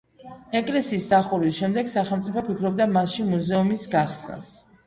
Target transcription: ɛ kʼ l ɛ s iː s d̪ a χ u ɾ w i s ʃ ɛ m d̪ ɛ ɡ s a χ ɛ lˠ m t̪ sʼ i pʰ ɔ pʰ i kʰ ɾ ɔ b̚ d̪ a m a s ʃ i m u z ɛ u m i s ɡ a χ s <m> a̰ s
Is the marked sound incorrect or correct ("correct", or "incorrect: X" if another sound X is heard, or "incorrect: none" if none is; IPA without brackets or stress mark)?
incorrect: n